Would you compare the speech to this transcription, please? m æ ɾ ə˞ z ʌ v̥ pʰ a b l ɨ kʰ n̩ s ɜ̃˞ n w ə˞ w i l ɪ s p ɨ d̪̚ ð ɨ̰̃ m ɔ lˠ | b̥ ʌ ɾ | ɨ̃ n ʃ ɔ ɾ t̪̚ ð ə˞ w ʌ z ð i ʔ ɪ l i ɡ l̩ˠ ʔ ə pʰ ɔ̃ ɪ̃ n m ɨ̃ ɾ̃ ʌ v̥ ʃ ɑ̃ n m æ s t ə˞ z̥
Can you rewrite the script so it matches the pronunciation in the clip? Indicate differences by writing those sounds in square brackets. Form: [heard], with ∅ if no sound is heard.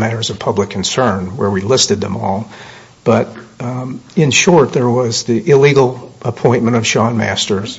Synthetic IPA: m æ ɾ ə˞ z ʌ v̥ pʰ [ʌ] b l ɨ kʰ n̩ s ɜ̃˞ n w ə˞ w i l ɪ s [t] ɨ d̪̚ ð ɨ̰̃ m ɔ lˠ | b̥ ʌ ɾ | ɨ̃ n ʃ ɔ [ɹ] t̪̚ ð ə˞ w ʌ z ð i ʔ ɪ l i ɡ l̩ˠ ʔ ə pʰ ɔ̃ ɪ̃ n m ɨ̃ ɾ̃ ʌ v̥ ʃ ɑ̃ n m æ s t ə˞ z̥